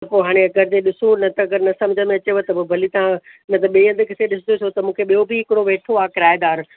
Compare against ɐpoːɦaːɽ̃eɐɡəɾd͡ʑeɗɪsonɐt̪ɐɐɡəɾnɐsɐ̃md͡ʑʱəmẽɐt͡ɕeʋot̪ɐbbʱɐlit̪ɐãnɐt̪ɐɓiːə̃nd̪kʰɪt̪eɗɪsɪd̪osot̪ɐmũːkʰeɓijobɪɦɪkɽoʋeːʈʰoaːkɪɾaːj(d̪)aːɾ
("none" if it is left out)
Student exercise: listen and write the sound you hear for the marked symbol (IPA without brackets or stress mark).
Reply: d̪